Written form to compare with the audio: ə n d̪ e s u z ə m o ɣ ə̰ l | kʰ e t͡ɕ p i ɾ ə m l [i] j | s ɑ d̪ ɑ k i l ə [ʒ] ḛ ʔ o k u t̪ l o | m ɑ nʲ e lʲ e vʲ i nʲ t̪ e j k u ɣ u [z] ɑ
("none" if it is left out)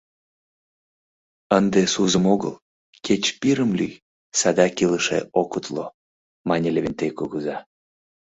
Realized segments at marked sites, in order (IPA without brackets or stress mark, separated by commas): y, ʃ, z